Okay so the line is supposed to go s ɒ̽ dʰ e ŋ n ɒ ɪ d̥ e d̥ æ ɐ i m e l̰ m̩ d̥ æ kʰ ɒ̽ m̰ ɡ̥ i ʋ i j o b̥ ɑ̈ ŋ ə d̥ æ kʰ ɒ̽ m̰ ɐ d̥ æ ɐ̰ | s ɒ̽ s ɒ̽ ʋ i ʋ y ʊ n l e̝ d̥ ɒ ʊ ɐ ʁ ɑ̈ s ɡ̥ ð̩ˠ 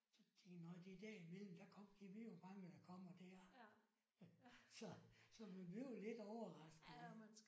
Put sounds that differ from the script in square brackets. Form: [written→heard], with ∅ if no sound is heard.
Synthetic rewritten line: s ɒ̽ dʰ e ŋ n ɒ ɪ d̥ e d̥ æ ɐ i m e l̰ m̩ d̥ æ kʰ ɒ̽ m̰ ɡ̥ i ʋ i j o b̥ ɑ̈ ŋ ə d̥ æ kʰ ɒ̽ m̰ ɐ d̥ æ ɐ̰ | s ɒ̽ s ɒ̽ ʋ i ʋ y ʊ [n→∅] l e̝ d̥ ɒ ʊ ɐ ʁ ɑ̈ s ɡ̥ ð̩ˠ